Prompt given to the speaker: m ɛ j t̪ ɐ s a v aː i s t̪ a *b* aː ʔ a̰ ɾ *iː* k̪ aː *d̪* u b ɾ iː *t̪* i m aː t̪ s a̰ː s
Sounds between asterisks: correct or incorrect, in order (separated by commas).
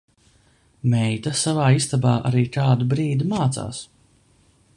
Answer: correct, correct, correct, incorrect